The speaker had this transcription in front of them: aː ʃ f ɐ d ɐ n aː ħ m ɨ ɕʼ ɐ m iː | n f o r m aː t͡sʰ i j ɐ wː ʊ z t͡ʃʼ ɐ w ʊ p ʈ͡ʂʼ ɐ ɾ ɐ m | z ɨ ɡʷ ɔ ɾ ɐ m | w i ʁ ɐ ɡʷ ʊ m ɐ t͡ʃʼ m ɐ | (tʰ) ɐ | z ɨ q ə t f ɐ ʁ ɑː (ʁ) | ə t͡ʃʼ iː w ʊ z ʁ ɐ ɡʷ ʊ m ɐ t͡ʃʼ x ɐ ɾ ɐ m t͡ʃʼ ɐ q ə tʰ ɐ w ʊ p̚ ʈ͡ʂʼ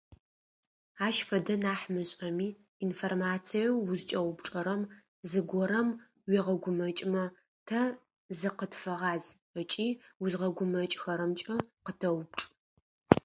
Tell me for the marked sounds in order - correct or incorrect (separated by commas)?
correct, incorrect